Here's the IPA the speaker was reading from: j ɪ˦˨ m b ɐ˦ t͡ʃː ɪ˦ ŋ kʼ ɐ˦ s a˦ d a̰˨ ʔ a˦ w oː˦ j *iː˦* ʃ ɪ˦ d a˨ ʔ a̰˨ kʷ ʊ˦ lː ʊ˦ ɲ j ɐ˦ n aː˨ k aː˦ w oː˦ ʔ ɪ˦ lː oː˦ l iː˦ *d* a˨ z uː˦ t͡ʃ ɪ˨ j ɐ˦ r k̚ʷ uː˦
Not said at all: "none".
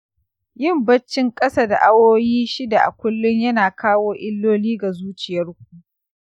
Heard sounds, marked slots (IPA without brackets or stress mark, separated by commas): iː˦, ɡ